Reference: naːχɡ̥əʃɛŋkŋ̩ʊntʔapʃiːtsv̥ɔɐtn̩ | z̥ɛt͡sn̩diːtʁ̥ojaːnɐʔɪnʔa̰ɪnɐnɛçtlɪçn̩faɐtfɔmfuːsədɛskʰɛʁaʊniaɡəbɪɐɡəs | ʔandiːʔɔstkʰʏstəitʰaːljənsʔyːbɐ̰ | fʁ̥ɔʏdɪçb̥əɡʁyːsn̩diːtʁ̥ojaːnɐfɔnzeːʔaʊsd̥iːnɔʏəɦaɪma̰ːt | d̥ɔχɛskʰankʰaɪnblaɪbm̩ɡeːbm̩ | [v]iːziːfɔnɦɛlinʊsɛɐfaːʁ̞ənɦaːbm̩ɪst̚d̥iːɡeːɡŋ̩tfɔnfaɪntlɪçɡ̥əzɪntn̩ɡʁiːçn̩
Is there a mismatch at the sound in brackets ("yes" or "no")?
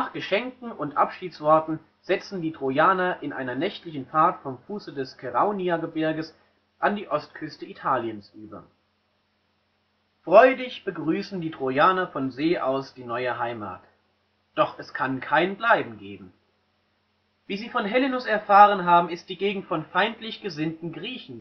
no